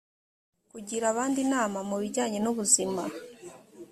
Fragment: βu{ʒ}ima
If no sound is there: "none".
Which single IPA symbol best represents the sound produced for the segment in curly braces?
z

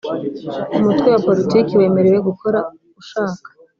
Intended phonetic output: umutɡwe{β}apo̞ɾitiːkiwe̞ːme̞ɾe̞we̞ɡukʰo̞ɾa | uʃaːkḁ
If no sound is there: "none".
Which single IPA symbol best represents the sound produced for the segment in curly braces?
w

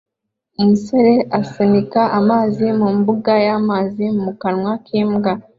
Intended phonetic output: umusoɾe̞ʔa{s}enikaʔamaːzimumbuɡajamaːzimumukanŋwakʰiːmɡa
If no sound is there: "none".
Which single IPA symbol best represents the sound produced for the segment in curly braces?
s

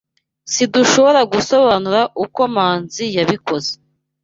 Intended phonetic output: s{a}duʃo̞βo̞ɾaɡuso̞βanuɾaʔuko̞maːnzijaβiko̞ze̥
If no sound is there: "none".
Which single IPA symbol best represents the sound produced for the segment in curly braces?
i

